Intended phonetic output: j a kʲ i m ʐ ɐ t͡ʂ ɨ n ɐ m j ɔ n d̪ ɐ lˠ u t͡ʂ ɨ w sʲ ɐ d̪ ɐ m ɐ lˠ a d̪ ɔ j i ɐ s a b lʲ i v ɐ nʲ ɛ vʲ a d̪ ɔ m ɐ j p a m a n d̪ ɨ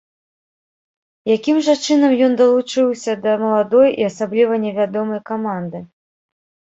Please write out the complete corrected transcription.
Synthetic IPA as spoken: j a kʲ i m ʐ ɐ t͡ʂ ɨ n ɐ m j ɔ n d̪ ɐ lˠ u t͡ʂ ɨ w sʲ ɐ d̪ ɐ m ɐ lˠ a d̪ ɔ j i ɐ s a b lʲ i v ɐ nʲ ɛ vʲ a d̪ ɔ m ɐ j k a m a n d̪ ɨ